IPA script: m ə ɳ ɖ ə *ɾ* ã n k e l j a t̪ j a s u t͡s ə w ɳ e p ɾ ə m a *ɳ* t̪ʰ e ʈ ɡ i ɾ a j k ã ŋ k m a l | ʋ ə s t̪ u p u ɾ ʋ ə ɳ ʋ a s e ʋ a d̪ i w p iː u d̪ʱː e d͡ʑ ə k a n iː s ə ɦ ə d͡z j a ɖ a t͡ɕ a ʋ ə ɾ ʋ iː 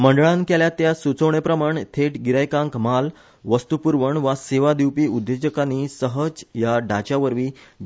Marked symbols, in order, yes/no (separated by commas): no, yes